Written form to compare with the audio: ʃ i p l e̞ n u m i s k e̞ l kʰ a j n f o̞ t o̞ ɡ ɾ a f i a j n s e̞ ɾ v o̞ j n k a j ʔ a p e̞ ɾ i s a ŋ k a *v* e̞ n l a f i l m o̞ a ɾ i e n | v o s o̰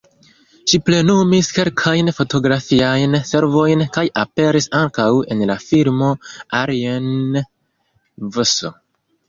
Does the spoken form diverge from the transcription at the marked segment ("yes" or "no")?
yes